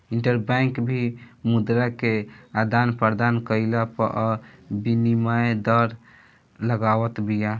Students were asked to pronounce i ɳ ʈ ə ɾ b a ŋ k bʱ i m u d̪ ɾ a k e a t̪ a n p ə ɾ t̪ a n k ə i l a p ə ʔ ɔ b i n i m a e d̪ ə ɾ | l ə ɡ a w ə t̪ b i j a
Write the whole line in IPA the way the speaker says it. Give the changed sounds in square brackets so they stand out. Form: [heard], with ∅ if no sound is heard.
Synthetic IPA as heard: i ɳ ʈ ə ɾ b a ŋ k bʱ i m u d̪ ɾ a k e a [d̪] a n p ə ɾ [d̪] a n k ə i l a p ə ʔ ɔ b i n i m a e d̪ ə ɾ | l ə ɡ a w ə t̪ b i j a